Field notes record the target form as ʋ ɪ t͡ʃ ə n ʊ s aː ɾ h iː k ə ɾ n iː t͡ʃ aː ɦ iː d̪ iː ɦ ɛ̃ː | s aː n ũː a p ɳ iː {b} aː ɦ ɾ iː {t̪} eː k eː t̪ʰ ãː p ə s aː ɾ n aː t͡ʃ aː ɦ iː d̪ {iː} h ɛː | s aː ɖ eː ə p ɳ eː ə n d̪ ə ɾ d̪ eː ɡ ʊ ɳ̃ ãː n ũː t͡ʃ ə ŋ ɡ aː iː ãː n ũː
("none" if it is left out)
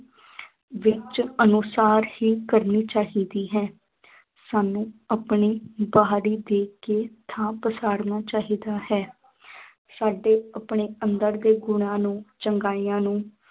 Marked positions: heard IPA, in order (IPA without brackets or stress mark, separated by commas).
b, d̪, aː